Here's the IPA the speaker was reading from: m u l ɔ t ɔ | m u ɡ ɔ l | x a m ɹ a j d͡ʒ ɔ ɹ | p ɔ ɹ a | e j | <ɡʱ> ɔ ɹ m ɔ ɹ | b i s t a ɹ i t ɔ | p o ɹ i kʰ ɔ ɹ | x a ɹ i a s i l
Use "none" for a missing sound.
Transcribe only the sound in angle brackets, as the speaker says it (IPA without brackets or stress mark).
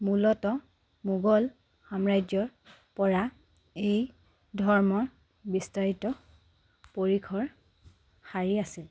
dʱ